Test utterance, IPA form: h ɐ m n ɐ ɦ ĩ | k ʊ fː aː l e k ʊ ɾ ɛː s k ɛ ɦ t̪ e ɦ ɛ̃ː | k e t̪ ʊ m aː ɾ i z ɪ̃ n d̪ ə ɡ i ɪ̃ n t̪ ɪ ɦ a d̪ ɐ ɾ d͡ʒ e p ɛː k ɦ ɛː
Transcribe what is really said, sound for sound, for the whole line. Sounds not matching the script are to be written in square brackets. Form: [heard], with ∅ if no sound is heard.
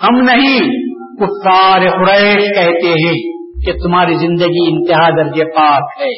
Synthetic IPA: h ɐ m n ɐ ɦ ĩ | k ʊ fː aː [ɾ] e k ʊ ɾ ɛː [ʃ] k ɛ ɦ t̪ e ɦ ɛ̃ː | k e t̪ ʊ m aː ɾ i z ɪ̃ n d̪ ə ɡ i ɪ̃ n t̪ ɪ ɦ a d̪ ɐ ɾ d͡ʒ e p [aː] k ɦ ɛː